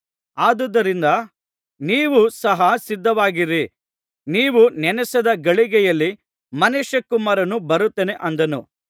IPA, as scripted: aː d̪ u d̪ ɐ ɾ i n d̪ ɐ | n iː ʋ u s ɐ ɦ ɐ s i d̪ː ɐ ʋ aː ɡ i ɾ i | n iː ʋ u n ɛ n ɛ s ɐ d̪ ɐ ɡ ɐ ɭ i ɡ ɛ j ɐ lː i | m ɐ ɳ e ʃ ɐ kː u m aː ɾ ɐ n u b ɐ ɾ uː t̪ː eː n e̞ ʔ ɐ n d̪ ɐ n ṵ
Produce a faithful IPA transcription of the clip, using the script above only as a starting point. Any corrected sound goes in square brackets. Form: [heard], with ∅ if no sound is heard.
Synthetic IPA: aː d̪ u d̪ ɐ ɾ i n d̪ ɐ | n iː ʋ u s ɐ ɦ ɐ s i d̪ː ɐ ʋ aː ɡ i ɾ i | n iː ʋ u n ɛ n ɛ s ɐ d̪ ɐ ɡ ɐ ɭ i ɡ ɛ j ɐ lː i | m ɐ [n] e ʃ ɐ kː u m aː ɾ ɐ n u b ɐ ɾ [u] t̪ː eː n e̞ ʔ ɐ n d̪ ɐ n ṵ